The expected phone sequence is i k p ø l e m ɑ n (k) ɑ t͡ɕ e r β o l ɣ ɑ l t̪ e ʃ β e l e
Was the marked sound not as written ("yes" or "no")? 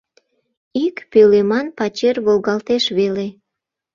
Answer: yes